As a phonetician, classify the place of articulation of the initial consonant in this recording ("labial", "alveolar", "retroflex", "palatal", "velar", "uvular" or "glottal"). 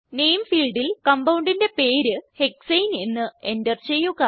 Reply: alveolar